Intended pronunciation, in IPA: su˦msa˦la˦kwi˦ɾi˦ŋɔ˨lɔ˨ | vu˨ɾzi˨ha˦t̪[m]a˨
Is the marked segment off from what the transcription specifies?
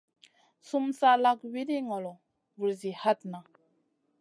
yes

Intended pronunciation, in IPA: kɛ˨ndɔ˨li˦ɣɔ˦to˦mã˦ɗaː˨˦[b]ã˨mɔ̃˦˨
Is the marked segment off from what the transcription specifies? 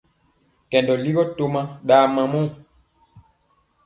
yes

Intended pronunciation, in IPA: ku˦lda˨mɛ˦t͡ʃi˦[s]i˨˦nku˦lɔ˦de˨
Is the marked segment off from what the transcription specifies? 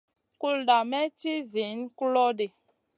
yes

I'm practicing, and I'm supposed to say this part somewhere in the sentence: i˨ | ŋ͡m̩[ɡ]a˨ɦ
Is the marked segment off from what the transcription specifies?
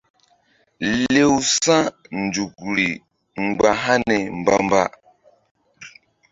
yes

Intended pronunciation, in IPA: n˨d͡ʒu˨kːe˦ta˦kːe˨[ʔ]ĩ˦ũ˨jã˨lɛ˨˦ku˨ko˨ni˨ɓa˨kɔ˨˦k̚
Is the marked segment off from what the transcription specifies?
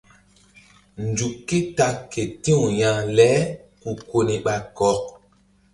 yes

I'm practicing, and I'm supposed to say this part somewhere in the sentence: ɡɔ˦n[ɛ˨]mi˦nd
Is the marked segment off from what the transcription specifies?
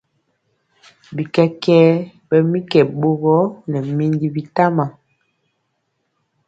no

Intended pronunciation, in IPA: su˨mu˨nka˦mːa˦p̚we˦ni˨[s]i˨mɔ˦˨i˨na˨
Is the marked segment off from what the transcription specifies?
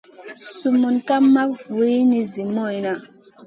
yes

